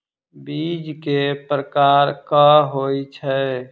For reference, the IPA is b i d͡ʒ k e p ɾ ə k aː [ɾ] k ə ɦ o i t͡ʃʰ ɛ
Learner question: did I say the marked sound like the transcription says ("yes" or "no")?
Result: yes